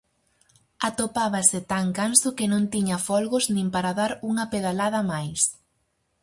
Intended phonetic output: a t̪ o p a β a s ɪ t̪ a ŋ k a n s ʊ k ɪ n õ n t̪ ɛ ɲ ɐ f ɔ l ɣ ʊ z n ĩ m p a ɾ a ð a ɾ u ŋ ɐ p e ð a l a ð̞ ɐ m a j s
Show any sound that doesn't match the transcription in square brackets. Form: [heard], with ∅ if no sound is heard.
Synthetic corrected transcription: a t̪ o p a β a s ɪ t̪ a ŋ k a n s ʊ k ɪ n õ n t̪ [i] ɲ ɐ f ɔ l ɣ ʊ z n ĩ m p a ɾ a ð a ɾ u ŋ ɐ p e ð a l a ð̞ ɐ m a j s